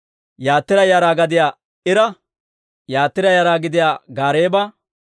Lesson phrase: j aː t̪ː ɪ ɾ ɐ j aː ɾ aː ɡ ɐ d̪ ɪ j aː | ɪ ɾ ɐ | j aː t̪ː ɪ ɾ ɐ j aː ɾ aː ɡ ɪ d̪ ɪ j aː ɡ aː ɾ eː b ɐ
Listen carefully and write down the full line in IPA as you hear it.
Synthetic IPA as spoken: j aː t̪ː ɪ ɾ ɐ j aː ɾ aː ɡ ɐ d̪ ɪ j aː | ɪ ɾ ɐ | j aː t̪ː ɪ ɾ ɐ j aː ɾ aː ɡ ɪ d̪ ɪ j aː ɡ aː ɾ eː b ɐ